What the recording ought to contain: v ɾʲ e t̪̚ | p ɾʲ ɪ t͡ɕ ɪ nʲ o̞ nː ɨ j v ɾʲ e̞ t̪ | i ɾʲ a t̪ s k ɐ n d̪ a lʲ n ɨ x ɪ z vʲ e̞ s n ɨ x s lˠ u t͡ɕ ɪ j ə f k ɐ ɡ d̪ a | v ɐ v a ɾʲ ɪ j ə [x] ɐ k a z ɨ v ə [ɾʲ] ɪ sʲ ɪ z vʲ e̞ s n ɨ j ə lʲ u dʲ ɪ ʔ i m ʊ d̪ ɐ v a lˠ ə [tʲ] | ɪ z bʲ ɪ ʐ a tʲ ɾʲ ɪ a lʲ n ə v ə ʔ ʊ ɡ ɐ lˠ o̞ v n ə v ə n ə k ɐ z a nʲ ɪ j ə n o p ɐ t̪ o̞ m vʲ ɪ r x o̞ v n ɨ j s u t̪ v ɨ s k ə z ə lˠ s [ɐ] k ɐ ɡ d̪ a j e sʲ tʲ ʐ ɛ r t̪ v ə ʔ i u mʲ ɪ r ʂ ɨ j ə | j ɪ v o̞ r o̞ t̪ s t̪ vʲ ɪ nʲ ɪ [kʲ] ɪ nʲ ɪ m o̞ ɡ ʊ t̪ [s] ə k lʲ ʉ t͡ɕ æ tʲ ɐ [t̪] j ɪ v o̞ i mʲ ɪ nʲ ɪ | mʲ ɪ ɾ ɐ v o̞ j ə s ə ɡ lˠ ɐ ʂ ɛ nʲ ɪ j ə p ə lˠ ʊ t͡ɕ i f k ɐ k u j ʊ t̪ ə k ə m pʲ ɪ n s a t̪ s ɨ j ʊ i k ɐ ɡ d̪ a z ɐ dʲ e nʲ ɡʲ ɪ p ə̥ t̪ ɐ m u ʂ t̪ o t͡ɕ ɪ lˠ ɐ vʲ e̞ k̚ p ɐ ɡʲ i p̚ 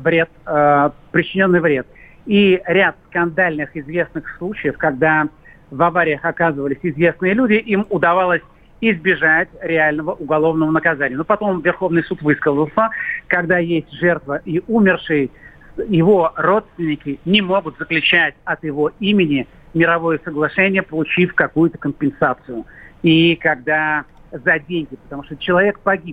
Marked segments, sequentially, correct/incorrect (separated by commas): correct, incorrect, incorrect, incorrect, correct, incorrect, correct